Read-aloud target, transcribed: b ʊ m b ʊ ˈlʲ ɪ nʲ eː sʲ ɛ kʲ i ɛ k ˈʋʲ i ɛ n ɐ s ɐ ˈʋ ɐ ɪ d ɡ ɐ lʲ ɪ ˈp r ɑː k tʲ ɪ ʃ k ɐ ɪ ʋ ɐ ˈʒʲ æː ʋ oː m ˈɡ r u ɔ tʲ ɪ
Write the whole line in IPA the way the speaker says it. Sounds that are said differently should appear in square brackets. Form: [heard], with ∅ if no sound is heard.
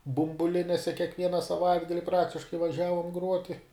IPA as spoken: b ʊ m b ʊ ˈlʲ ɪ nʲ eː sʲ ɛ kʲ i ɛ k ˈʋʲ i ɛ n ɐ s ɐ ˈʋ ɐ ɪ d ɡ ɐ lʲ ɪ ˈp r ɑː k tʲ ɪ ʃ k ɐ ɪ ʋ ɐ ˈʒʲ æː ʋ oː m ˈɡ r u ɔ tʲ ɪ